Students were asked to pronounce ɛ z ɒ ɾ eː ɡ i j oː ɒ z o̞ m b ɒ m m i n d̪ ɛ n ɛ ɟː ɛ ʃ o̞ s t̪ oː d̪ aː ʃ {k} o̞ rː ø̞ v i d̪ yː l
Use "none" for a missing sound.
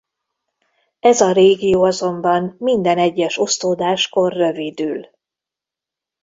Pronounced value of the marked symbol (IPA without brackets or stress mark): k